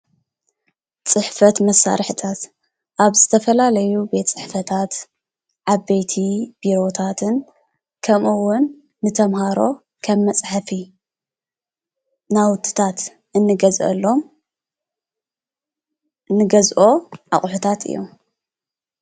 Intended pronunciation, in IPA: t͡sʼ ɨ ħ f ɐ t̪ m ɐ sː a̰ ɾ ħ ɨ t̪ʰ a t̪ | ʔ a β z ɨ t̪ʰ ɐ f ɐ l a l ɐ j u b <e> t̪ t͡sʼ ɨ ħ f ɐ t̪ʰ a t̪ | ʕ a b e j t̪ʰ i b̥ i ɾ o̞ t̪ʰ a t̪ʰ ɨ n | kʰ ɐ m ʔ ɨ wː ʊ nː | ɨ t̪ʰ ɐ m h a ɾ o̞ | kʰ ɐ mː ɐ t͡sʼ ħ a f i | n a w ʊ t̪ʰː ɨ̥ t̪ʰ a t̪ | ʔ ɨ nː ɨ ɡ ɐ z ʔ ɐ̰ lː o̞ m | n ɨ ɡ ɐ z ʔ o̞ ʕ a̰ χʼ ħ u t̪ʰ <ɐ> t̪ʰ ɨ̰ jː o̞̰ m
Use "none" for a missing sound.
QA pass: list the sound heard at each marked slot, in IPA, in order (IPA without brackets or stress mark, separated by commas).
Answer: e, a